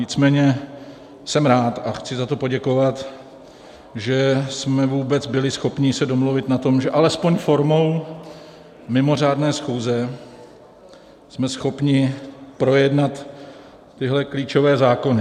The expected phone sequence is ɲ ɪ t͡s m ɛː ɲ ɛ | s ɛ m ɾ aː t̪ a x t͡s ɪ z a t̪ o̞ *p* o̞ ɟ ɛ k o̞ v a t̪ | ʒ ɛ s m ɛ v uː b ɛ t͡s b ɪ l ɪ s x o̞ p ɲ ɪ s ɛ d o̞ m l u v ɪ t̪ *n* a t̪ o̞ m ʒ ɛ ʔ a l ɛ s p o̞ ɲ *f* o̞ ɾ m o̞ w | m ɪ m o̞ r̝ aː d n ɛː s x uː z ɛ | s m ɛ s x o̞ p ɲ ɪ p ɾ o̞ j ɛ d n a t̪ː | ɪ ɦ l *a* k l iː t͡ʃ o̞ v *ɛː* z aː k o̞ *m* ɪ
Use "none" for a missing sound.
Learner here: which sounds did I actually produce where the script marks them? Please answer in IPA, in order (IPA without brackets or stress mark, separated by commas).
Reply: p, n, f, ɛ, ɛː, n